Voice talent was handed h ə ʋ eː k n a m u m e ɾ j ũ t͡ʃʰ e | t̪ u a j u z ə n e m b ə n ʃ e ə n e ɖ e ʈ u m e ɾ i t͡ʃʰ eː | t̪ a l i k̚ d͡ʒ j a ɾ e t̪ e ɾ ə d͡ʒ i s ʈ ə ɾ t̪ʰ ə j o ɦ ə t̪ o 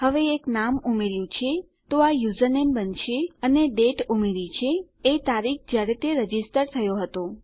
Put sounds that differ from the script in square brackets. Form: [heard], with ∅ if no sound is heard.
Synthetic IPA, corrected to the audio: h ə ʋ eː k n a m u m e ɾ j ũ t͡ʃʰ e | t̪ [o] a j u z ə n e m b ə n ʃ e ə n e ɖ e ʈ u m e ɾ i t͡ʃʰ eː | t̪ a [ɾ] i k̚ d͡ʒ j a ɾ e t̪ e ɾ ə d͡ʒ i s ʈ ə ɾ t̪ʰ ə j o ɦ ə t̪ o